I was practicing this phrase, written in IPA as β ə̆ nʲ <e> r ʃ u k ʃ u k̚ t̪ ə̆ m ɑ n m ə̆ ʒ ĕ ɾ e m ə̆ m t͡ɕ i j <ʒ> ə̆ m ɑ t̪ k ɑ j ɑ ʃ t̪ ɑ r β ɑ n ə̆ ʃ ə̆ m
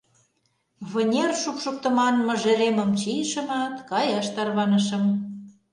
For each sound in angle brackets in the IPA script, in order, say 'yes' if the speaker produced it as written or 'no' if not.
yes, no

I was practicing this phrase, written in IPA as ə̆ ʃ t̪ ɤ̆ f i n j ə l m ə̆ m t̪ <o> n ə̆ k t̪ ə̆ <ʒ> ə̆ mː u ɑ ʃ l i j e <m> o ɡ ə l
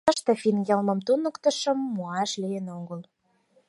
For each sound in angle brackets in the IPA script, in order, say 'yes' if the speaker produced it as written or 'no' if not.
no, no, no

